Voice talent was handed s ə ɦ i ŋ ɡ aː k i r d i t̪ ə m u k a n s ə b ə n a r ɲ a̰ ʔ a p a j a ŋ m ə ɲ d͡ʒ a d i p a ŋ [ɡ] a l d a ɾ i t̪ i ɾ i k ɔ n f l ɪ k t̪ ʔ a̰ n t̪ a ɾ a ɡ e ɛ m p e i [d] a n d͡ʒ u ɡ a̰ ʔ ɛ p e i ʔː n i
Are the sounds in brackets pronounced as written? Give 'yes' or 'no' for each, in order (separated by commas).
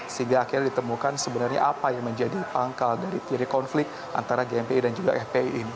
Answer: no, yes